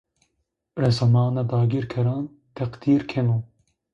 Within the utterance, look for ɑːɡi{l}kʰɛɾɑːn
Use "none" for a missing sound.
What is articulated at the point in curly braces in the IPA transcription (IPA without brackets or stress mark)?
ɾ